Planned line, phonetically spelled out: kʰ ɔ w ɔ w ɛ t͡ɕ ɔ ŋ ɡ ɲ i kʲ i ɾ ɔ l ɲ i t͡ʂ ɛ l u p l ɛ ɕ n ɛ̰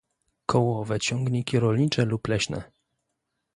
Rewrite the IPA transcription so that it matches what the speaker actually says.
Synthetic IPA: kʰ ɔ w ɔ v ɛ t͡ɕ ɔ ŋ ɡ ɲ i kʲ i ɾ ɔ l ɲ i t͡ʂ ɛ l u p l ɛ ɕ n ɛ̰

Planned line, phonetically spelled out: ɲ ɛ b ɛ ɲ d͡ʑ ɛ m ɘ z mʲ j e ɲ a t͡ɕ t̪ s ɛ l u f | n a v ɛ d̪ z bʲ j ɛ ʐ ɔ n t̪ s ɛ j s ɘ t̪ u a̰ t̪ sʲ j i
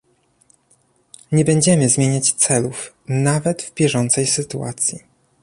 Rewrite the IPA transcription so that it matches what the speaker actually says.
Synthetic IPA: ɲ ɛ b ɛ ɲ d͡ʑ ɛ m ɘ z mʲ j e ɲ a t͡ɕ t̪ s ɛ l u f | n a v ɛ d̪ v bʲ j ɛ ʐ ɔ n t̪ s ɛ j s ɘ t̪ u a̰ t̪ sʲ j i

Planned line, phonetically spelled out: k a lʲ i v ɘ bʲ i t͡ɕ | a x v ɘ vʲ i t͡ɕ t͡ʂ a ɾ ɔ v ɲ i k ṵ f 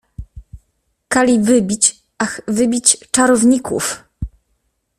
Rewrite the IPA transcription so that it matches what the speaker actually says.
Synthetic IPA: k a lʲ i v ɘ bʲ i t͡ɕ | a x v ɘ bʲ i t͡ɕ t͡ʂ a ɾ ɔ v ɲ i k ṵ f

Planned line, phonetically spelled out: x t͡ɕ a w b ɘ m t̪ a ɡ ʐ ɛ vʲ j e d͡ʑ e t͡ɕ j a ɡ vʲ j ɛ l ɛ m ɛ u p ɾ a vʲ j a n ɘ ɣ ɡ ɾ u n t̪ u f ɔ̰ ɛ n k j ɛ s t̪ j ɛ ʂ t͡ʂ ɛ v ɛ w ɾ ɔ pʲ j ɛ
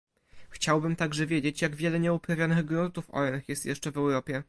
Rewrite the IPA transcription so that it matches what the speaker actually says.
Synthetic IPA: x t͡ɕ a w b ɘ m t̪ a ɡ ʐ ɛ vʲ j e d͡ʑ e t͡ɕ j a ɡ vʲ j ɛ l ɛ ɲ ɛ u p ɾ a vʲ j a n ɘ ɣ ɡ ɾ u n t̪ u f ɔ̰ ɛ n x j ɛ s t̪ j ɛ ʂ t͡ʂ ɛ v ɛ w ɾ ɔ pʲ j ɛ

